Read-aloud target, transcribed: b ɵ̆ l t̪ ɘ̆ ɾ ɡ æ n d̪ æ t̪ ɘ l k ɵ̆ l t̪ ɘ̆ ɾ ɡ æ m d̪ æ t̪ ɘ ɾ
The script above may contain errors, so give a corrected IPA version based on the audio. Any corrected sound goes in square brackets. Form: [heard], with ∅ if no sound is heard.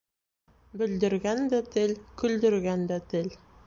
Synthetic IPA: b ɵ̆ l [d̪] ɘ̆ ɾ ɡ æ n d̪ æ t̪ ɘ l k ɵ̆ l [d̪] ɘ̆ ɾ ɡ æ [n] d̪ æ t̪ ɘ [l]

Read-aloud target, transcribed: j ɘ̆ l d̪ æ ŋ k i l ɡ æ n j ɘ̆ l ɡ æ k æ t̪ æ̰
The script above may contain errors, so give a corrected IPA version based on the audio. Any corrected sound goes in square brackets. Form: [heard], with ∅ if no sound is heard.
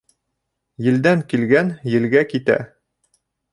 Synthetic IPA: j ɘ̆ l d̪ æ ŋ k i l ɡ æ n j ɘ̆ l ɡ æ k [i] t̪ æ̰

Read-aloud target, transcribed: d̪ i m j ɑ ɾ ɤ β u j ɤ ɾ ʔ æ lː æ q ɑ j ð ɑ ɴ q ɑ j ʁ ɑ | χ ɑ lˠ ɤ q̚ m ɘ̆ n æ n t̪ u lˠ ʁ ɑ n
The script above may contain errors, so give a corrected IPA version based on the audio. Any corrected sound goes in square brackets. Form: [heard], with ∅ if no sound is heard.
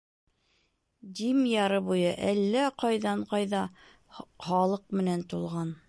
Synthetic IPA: d̪ i m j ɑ ɾ ɤ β u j ɤ [∅] ʔ æ lː æ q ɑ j ð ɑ ɴ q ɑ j [ð] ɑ | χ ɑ lˠ ɤ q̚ m ɘ̆ n æ n t̪ u lˠ ʁ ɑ n

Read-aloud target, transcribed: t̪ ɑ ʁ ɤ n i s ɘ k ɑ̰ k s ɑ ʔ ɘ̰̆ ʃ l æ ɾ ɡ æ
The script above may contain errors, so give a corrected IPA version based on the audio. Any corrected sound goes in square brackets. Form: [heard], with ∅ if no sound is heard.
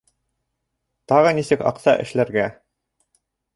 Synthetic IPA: t̪ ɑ ʁ ɤ n i s ɘ k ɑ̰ [q] s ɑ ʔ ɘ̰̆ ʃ l æ ɾ ɡ æ

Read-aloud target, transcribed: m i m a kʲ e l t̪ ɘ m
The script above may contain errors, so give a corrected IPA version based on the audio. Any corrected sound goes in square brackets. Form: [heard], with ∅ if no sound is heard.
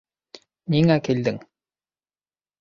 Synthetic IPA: [n] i [ŋ] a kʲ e l [d̪] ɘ [ŋ]

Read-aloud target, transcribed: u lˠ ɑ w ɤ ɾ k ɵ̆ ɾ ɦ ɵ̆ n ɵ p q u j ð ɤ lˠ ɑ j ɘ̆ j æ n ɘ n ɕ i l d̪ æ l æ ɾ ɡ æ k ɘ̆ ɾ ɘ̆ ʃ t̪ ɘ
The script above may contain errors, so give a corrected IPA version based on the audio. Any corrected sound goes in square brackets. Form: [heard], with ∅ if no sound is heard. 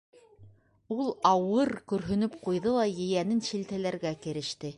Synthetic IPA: u lˠ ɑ w ɤ ɾ k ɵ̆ ɾ ɦ ɵ̆ n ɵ p q u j ð ɤ lˠ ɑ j ɘ̆ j æ n ɘ n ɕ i l [t̪] æ l æ ɾ ɡ æ k ɘ̆ ɾ ɘ̆ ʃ t̪ ɘ

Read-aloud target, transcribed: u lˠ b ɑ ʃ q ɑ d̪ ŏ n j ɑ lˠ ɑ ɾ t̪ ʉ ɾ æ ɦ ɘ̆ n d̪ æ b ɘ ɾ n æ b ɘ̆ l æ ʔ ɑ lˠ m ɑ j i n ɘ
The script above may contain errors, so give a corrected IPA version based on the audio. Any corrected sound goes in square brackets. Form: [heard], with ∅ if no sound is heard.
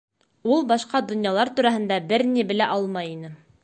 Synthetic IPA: u lˠ b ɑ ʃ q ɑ d̪ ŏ n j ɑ lˠ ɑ ɾ t̪ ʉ ɾ æ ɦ ɘ̆ n d̪ æ b ɘ ɾ n [i] b ɘ̆ l æ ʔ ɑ lˠ m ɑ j i n ɘ

